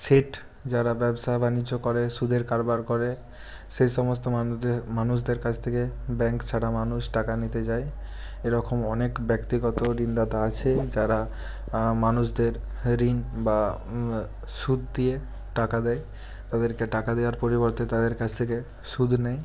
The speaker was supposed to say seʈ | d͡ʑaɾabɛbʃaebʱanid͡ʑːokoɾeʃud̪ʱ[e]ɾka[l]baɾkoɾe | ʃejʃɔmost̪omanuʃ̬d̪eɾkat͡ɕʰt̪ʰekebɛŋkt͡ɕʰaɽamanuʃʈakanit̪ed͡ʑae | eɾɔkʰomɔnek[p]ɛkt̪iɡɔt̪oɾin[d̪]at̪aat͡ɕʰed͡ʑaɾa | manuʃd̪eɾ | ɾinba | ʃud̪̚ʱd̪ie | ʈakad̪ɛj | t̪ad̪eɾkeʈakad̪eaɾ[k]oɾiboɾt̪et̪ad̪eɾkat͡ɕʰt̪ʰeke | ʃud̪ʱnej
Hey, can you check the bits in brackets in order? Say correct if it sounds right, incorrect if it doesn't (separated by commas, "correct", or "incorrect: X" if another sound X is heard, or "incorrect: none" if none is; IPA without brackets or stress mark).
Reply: correct, incorrect: ɾ, incorrect: b, correct, incorrect: p